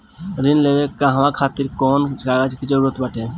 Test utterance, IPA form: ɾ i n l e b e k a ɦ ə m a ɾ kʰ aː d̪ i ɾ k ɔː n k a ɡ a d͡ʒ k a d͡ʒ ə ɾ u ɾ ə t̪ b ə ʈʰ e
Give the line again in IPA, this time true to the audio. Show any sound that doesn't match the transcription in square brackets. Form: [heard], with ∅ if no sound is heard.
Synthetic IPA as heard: ɾ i n l e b e k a ɦ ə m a [∅] kʰ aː [t̪] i ɾ k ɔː n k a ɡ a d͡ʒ k [i] d͡ʒ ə ɾ u ɾ ə t̪ b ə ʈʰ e

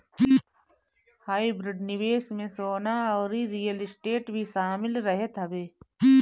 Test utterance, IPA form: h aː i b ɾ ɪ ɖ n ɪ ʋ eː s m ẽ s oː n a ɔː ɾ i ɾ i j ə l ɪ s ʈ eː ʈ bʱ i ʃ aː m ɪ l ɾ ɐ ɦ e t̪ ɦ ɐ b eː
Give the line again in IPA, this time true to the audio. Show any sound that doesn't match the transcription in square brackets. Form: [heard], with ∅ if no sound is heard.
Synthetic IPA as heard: h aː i b ɾ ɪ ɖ n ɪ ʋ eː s m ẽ s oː n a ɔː ɾ i ɾ i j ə l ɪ s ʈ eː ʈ bʱ i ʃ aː m ɪ l ɾ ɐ ɦ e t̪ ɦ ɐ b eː

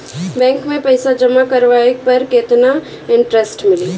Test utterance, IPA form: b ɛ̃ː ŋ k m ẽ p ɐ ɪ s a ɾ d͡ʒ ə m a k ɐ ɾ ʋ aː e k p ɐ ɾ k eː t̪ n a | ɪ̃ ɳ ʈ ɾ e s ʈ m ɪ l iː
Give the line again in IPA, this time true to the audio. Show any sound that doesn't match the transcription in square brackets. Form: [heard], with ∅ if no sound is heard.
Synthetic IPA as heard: b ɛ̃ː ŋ k m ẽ p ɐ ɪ s a [∅] d͡ʒ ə m a k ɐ ɾ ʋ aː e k p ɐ ɾ k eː t̪ n a | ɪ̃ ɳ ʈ ɾ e s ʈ m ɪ l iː

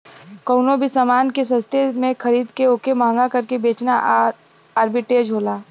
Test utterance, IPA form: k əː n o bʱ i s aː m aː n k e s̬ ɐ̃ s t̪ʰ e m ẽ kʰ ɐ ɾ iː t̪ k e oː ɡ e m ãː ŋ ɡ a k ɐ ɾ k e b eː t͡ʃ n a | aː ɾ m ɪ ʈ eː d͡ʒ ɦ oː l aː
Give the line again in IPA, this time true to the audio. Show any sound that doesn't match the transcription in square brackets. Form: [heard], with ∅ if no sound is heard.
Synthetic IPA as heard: k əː n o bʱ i s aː m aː n k e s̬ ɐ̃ s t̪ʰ e m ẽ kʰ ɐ ɾ iː [d̪] k e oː [k] e m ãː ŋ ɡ a k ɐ ɾ k e b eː t͡ʃ n a | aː ɾ [b] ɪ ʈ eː d͡ʒ ɦ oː l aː

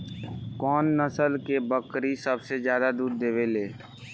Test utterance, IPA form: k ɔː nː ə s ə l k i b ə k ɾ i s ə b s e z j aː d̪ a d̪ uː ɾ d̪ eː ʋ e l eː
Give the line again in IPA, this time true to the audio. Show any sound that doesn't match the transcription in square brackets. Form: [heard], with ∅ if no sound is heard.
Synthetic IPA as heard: k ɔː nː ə s ə l k [e] b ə k ɾ i s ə b s e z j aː d̪ a d̪ uː ɾ d̪ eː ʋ e l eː

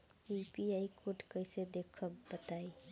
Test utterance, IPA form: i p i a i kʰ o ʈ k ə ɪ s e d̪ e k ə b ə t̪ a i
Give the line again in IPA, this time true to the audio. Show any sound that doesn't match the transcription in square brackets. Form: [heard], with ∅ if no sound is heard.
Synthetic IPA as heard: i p i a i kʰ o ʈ k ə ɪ s e d̪ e [kʰ] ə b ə t̪ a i

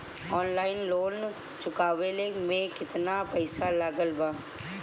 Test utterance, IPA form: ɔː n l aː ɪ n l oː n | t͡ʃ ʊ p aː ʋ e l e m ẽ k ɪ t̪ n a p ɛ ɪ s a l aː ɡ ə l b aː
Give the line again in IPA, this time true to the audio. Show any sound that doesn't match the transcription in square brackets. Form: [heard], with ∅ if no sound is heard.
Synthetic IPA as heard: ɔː n l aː ɪ n l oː n | t͡ʃ ʊ [k] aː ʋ e l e m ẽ k ɪ t̪ n a p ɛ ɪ s a l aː ɡ ə l b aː

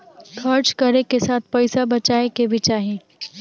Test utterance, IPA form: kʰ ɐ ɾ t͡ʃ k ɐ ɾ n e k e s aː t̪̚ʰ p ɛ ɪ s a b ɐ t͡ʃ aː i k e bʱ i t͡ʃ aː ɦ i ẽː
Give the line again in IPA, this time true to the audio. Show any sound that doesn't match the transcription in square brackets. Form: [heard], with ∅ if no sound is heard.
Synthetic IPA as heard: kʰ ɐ ɾ t͡ʃ k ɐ ɾ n e k e s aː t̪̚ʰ p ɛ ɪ s a b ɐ t͡ʃ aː [e] k e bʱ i t͡ʃ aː ɦ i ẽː

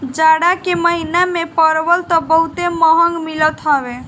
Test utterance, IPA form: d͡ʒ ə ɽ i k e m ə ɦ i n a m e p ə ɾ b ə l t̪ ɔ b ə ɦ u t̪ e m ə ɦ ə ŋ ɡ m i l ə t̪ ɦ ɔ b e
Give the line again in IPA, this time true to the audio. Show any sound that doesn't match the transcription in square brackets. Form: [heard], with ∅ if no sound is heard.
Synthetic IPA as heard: d͡ʒ [a] ɽ [a] k e m ə ɦ i n a m e p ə ɾ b ə l t̪ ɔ b ə ɦ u t̪ e m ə ɦ ə ŋ ɡ m i l ə t̪ ɦ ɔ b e

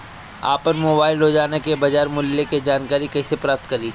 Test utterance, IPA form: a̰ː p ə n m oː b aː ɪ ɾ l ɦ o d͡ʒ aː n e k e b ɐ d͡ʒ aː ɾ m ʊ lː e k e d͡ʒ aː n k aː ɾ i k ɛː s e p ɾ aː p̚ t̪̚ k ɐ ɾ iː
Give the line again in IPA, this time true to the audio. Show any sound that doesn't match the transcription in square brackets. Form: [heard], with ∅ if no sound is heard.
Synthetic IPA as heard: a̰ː p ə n m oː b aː ɪ [∅] l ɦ o d͡ʒ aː n e k e b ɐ d͡ʒ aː ɾ m ʊ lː e k e d͡ʒ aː n k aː ɾ i k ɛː s e p ɾ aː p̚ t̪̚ k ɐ ɾ iː

